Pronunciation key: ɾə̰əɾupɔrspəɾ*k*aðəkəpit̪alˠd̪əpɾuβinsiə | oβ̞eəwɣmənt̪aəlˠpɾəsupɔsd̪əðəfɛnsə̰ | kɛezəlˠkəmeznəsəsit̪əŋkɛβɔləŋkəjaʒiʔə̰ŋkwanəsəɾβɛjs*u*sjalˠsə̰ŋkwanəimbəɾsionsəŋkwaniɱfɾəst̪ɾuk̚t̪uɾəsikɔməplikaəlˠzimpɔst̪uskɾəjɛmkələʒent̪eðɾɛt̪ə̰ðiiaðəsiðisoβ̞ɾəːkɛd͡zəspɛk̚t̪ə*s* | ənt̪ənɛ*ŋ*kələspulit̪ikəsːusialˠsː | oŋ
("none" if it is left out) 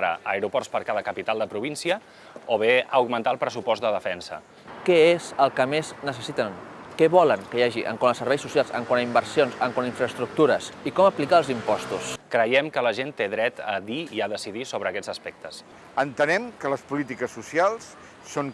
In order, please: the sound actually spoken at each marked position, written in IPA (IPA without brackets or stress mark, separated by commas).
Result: k, u, s, m